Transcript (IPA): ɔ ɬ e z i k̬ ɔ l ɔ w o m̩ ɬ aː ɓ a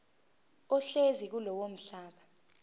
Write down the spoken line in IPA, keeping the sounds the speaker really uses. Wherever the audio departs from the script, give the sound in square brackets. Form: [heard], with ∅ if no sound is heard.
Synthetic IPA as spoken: ɔ ɬ e z i k̬ [u] l ɔ w o m̩ ɬ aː ɓ a